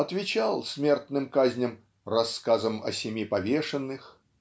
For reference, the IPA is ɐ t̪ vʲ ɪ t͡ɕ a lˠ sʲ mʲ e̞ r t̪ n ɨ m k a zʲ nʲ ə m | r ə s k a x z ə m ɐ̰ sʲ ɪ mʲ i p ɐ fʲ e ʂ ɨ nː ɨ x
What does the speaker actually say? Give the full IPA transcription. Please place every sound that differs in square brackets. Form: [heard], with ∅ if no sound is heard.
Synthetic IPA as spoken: ɐ t̪ vʲ ɪ t͡ɕ a lˠ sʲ mʲ e̞ r t̪ n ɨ m k a zʲ nʲ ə m | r [ɐ] s k a [∅] z ə m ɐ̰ sʲ ɪ mʲ i p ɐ [vʲ] e ʂ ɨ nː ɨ x